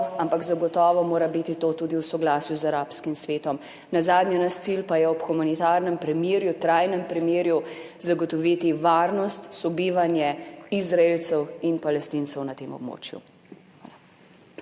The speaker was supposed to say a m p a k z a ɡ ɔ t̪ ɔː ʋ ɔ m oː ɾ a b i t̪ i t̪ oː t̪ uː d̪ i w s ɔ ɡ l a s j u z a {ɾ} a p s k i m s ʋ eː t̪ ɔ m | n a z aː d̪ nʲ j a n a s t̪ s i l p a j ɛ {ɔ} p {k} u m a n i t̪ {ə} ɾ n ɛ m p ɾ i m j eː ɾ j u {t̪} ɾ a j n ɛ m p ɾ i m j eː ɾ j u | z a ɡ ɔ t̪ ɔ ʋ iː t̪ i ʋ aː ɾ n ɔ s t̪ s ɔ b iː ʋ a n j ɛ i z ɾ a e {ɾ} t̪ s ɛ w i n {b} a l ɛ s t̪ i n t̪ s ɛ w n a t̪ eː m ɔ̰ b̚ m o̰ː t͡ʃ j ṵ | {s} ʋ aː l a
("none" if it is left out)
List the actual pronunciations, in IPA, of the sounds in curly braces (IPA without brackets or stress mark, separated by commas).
ɾ, ɔ, x, a, t̪, l, p, x